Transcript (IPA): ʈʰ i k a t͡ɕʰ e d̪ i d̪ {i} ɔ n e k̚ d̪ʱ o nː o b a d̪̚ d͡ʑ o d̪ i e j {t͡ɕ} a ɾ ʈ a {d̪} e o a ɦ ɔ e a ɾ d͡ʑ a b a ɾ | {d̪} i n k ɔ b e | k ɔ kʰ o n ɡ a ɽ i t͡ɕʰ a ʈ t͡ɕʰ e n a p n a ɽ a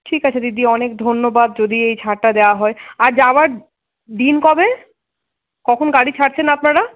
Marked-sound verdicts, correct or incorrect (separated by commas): correct, incorrect, correct, correct